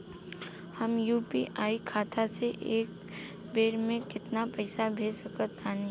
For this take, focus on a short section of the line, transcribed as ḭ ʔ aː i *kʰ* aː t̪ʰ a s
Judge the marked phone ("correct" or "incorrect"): correct